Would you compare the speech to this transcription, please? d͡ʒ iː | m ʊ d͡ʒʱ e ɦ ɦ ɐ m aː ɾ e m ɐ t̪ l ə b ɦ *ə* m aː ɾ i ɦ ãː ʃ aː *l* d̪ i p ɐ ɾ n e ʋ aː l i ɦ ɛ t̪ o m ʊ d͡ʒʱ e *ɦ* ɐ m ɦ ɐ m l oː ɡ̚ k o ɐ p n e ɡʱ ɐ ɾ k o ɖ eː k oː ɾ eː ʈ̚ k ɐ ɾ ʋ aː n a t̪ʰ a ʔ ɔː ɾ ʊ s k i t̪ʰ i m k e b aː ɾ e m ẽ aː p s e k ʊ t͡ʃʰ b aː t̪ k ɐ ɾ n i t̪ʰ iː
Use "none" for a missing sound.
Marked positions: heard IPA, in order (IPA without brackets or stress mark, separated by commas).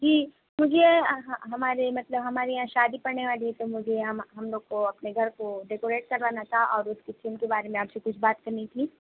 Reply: ɐ, none, ɦ